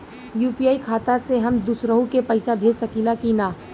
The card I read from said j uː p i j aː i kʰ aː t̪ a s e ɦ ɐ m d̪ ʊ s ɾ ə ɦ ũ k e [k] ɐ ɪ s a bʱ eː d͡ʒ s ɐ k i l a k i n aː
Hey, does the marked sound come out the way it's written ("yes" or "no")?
no